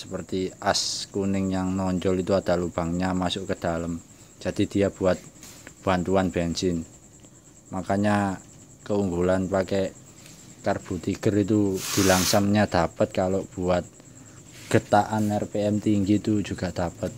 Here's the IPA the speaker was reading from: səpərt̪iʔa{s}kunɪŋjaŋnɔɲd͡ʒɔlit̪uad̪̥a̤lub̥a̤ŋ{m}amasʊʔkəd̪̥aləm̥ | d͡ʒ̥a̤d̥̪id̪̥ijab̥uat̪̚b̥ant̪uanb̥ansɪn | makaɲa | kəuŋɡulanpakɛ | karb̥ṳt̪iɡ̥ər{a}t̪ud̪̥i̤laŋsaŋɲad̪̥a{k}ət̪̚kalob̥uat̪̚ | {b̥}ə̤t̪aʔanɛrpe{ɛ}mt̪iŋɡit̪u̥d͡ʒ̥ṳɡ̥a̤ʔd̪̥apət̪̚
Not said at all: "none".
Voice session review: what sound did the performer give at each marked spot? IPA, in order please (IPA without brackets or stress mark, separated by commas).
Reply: s, ɲ, i, p, ɡ̥, ɛ